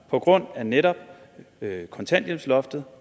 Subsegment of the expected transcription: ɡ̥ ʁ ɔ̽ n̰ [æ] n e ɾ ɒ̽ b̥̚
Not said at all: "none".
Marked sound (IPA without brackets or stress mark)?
æ